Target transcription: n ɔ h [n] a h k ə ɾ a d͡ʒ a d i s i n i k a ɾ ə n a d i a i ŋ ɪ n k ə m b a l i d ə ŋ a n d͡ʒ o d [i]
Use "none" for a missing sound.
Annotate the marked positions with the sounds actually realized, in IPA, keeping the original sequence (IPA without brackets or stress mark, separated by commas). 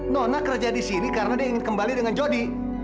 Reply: n, i